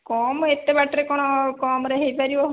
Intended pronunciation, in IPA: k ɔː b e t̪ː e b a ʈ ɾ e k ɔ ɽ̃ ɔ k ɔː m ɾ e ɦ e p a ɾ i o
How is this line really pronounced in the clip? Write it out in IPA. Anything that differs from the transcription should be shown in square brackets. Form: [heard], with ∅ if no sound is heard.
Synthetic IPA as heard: k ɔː [m] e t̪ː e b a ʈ ɾ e k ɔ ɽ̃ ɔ k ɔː m ɾ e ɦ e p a ɾ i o